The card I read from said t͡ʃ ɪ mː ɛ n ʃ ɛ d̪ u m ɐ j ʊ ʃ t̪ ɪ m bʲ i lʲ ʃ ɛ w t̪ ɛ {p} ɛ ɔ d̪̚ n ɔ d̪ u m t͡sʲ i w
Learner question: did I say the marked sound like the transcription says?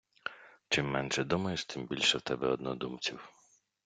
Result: no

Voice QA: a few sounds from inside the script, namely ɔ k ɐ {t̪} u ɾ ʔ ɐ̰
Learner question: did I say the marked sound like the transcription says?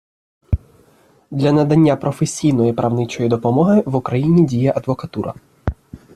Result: yes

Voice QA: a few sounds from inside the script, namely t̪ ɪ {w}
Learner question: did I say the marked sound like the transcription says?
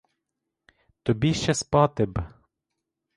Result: no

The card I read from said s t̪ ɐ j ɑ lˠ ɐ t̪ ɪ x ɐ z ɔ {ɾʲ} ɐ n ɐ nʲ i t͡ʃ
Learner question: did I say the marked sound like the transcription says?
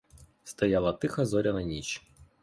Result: yes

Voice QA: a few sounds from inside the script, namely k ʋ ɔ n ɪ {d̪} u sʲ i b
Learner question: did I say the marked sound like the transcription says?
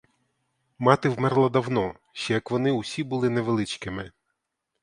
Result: no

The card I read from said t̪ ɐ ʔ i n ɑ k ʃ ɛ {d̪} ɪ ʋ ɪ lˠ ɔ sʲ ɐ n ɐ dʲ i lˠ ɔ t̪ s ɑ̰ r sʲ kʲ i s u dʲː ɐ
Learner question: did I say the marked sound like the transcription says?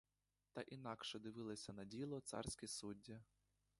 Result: yes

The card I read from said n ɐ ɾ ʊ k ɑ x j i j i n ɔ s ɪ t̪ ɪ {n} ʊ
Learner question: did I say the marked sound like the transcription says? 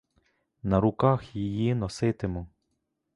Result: no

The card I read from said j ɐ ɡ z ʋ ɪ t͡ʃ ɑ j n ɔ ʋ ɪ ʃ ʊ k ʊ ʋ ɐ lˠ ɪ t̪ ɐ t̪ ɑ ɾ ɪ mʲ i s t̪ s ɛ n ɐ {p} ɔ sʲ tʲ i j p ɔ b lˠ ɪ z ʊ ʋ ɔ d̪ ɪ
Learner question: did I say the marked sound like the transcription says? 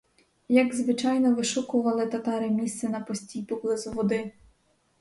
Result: yes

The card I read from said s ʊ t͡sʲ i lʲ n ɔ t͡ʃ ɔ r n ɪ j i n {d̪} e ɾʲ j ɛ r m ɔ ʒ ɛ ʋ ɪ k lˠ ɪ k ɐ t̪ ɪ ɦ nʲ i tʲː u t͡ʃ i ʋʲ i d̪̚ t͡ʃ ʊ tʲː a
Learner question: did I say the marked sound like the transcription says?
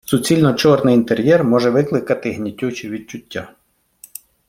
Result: no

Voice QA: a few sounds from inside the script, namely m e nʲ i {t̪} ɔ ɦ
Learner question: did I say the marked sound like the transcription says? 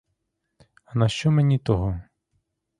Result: yes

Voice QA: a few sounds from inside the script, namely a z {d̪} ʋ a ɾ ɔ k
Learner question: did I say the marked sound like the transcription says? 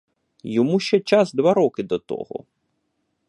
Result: yes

